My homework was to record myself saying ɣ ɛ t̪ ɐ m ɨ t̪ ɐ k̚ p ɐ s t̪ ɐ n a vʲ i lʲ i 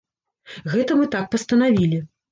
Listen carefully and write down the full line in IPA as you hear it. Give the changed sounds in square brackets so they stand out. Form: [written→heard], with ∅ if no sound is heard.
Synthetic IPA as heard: ɣ ɛ t̪ ɐ m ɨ t̪ [ɐ→a] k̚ p ɐ s t̪ ɐ n a vʲ i lʲ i